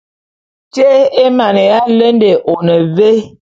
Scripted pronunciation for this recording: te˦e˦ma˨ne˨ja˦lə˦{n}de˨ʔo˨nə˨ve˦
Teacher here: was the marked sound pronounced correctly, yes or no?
yes